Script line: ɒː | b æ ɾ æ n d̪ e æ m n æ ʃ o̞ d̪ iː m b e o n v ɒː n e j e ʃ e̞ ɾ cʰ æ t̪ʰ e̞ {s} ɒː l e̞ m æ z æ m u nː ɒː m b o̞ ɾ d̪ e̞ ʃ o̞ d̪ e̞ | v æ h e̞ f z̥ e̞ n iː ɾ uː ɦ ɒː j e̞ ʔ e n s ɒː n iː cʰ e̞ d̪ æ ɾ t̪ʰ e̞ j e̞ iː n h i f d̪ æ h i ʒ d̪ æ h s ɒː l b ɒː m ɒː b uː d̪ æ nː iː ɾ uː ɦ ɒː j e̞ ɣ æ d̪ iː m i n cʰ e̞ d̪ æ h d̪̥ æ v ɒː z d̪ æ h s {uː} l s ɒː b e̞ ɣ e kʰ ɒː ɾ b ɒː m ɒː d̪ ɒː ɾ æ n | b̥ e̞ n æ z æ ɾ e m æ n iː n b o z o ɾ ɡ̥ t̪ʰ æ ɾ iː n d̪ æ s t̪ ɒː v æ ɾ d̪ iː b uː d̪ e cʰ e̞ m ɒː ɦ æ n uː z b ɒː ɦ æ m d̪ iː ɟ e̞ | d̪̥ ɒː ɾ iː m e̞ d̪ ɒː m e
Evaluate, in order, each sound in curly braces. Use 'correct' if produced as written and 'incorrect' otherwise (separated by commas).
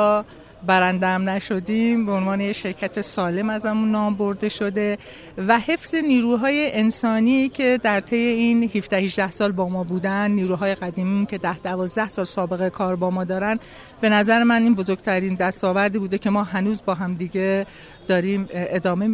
correct, incorrect